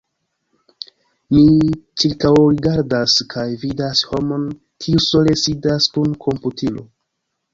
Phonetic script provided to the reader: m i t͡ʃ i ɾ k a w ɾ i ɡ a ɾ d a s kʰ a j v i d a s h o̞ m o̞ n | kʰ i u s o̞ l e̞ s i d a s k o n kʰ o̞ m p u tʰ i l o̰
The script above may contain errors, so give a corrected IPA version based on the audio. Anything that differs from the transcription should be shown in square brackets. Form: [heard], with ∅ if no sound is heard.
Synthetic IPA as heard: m i t͡ʃ i ɾ k a w ɾ i ɡ a ɾ d a s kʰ a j v i d a s h o̞ m o̞ n | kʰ i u s o̞ l e̞ s i d a s k [u] n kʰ o̞ m p u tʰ i l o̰